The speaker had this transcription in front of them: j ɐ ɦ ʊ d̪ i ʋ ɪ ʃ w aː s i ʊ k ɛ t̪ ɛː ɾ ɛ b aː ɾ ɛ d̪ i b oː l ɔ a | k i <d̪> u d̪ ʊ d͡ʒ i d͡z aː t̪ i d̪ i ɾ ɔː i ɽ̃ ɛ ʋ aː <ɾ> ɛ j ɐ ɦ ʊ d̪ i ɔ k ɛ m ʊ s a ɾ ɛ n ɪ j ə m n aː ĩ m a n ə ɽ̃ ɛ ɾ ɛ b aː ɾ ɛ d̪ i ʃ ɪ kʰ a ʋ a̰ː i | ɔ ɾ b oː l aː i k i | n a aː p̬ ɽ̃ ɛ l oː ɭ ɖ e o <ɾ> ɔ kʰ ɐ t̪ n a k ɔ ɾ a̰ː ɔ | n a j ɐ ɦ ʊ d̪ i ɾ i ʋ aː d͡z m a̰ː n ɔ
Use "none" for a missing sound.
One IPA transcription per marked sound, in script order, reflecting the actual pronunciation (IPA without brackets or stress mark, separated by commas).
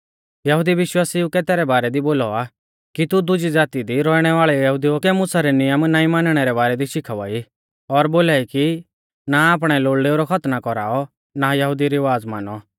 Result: t̪, ɭ, ɾ